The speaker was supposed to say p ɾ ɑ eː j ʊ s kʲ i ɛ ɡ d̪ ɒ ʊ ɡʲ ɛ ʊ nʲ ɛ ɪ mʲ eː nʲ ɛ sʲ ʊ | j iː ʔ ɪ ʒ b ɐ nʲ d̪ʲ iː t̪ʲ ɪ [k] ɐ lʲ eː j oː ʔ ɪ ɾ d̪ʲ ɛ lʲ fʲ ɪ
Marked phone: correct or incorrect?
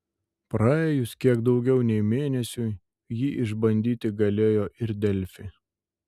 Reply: incorrect